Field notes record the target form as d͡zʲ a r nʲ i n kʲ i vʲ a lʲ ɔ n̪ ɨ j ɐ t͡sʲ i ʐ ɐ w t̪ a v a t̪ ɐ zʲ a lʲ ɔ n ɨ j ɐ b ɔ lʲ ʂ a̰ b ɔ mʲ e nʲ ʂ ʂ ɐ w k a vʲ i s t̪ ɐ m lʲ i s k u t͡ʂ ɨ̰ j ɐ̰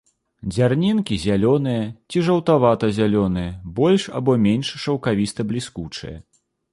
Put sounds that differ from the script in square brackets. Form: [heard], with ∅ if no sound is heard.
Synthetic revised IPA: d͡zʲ a r nʲ i n kʲ i [zʲ] a lʲ ɔ n̪ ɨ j ɐ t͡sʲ i ʐ ɐ w t̪ a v a t̪ ɐ zʲ a lʲ ɔ n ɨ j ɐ b ɔ lʲ ʂ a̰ b ɔ mʲ e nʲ ʂ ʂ ɐ w k a vʲ i s t̪ ɐ [b] lʲ i s k u t͡ʂ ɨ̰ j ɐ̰